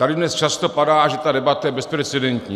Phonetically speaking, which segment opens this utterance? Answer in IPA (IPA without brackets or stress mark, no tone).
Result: t̪